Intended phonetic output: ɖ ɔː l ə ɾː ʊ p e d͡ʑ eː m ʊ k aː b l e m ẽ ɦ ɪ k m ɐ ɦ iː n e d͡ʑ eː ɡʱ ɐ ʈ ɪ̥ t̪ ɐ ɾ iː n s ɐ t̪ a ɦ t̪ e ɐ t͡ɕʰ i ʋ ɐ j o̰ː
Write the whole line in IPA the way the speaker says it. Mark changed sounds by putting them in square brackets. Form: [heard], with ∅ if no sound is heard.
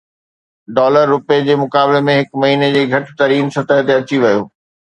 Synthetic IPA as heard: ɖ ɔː l ə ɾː ʊ p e d͡ʑ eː m ʊ k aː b l e m ẽ ɦ ɪ k m ɐ ɦ iː n e d͡ʑ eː ɡʱ ɐ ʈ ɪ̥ t̪ ɐ ɾ iː n s ɐ t̪ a ɦ t̪ e ɐ [t͡ɕ] i ʋ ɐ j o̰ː